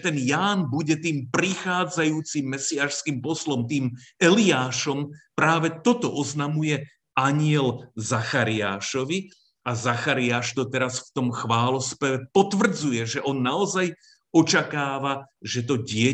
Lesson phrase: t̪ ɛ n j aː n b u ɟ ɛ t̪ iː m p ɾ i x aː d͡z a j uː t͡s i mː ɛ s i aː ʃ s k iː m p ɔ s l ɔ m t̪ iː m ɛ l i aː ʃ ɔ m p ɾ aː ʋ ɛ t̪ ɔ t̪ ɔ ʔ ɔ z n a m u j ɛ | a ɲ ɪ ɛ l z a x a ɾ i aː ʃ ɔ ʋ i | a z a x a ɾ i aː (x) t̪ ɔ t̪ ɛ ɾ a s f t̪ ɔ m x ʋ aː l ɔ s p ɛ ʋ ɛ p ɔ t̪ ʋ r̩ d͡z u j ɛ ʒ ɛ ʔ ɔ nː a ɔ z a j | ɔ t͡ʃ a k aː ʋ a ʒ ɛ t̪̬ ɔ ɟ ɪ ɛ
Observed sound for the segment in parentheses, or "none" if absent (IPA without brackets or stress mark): ʃ